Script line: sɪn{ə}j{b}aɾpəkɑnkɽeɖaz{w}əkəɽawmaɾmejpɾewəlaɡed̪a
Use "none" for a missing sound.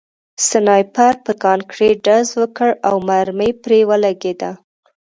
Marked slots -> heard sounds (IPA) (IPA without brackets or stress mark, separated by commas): ɑ, p, w